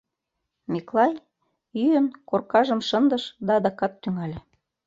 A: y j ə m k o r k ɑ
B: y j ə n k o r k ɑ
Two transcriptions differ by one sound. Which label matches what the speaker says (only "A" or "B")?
B